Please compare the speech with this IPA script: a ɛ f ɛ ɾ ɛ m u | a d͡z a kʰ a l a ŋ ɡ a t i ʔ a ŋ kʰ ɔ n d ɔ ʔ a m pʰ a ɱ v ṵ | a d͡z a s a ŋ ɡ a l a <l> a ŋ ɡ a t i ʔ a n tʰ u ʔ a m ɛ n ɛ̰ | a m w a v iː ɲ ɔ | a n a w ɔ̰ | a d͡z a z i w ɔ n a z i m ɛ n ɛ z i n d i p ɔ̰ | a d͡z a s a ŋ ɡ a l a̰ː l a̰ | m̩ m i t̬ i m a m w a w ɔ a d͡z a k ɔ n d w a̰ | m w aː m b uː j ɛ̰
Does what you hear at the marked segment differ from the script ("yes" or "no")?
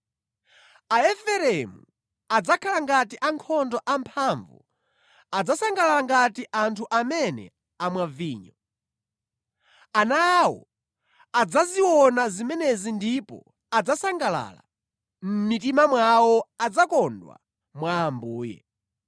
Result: no